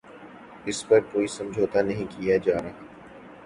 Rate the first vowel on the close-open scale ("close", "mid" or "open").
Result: close